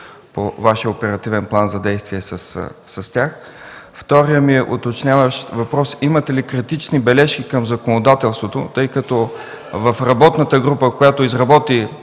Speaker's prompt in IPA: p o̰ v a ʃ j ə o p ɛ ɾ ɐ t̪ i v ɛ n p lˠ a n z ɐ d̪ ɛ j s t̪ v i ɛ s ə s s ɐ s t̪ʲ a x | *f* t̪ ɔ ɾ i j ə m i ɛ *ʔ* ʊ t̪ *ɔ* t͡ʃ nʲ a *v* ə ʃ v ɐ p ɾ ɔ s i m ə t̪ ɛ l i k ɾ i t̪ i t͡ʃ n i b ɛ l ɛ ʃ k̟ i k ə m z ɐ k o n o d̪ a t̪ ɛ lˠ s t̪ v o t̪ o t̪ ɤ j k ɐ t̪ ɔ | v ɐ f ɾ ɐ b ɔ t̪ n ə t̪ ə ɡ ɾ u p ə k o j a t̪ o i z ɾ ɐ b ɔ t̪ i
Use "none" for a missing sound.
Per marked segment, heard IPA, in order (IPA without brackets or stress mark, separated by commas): f, ʔ, o, v